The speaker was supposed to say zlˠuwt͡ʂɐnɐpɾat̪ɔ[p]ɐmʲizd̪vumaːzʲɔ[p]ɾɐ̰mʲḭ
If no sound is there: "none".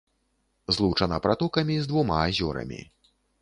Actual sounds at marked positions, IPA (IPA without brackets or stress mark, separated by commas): k, none